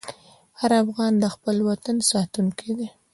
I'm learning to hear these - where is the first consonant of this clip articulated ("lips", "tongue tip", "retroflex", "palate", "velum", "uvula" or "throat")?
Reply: throat